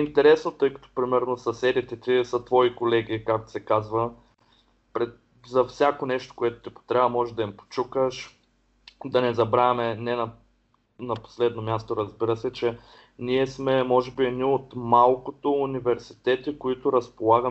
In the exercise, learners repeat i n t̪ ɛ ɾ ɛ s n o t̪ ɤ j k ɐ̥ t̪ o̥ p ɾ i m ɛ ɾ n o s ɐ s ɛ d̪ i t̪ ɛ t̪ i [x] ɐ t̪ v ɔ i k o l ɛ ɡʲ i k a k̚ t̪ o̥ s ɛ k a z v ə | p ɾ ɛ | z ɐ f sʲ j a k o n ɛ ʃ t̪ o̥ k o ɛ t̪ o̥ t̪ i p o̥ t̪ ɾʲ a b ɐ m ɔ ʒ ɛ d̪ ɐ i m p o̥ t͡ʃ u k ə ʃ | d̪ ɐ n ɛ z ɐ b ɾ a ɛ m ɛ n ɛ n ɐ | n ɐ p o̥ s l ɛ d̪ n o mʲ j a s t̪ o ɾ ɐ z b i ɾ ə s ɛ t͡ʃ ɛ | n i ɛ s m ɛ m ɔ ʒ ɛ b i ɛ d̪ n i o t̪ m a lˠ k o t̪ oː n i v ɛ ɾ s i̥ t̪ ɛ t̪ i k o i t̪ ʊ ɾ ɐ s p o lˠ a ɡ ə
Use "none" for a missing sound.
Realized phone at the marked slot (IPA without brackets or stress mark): s